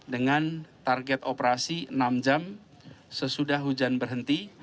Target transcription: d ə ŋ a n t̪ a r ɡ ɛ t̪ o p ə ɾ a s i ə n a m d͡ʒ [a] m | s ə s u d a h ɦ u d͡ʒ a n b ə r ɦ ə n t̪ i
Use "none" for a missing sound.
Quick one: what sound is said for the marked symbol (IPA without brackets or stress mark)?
a